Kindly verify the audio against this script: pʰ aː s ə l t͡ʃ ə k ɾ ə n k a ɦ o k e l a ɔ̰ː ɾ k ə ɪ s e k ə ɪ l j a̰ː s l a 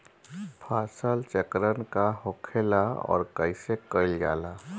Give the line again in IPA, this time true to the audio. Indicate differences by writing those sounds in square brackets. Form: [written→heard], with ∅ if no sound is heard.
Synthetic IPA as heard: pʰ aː s ə l t͡ʃ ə k ɾ ə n k a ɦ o [k→kʰ] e l a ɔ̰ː ɾ k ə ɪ s e k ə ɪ l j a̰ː [s→∅] l a